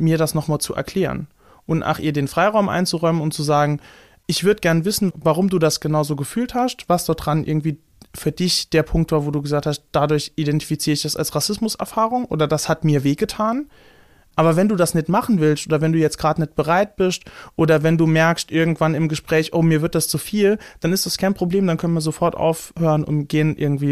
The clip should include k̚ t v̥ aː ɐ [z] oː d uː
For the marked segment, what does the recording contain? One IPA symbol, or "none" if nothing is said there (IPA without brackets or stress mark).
v